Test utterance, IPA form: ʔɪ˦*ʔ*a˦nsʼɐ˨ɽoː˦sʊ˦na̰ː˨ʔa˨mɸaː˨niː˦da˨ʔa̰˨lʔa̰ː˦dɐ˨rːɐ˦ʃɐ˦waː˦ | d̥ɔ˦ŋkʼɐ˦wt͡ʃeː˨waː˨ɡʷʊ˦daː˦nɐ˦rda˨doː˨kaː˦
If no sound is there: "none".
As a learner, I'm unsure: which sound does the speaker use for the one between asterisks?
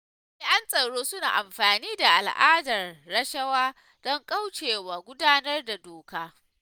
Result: ʔ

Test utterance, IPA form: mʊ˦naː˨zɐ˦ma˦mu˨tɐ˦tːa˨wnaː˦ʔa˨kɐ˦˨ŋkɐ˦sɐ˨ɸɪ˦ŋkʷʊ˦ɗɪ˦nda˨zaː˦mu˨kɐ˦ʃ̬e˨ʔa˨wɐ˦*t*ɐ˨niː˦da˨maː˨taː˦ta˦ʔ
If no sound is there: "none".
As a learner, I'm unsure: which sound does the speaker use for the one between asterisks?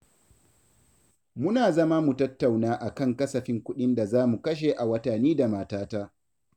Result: t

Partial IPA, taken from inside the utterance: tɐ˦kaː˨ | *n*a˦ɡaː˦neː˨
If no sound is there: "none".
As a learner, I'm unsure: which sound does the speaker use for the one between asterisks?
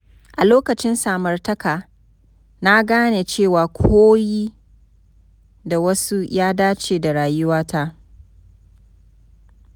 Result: n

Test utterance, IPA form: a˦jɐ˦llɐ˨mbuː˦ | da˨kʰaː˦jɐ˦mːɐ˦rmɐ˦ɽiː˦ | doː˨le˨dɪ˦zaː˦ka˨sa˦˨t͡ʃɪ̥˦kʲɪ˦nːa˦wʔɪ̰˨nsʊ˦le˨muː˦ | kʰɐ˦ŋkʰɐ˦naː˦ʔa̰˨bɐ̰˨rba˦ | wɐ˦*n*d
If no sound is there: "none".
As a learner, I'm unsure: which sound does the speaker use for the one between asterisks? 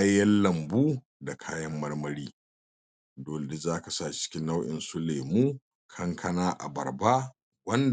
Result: n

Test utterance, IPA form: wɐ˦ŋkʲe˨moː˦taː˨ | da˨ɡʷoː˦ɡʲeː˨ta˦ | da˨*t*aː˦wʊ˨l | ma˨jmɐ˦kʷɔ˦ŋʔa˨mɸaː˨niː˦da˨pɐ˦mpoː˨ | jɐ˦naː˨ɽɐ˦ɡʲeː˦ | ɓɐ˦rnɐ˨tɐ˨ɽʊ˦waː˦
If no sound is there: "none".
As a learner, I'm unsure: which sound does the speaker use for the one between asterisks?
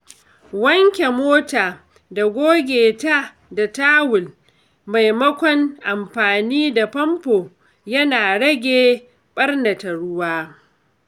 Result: t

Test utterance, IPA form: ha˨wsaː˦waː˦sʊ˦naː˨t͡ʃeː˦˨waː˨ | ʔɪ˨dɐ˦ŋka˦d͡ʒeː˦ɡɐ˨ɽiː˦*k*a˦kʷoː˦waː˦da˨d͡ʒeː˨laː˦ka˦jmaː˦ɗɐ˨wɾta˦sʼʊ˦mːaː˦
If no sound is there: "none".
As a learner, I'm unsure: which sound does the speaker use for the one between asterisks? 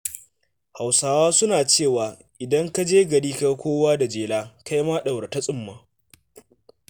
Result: k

